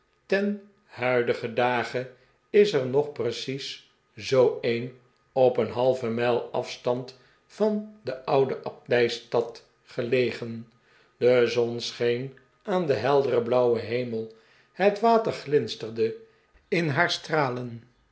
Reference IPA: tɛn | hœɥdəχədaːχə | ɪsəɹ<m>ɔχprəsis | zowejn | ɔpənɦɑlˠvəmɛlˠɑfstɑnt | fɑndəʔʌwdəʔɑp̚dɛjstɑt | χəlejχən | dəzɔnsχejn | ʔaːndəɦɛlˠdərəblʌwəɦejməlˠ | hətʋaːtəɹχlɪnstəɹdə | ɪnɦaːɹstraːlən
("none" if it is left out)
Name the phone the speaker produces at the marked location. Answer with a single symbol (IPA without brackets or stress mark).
n